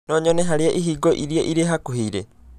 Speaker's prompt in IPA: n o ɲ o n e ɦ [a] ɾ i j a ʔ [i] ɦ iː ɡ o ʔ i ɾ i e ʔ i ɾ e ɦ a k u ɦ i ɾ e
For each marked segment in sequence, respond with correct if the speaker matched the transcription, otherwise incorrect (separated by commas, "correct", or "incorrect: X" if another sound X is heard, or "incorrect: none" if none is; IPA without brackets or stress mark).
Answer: correct, correct